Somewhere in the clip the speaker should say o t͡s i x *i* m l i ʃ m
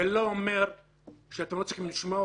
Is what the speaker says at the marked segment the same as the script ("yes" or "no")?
yes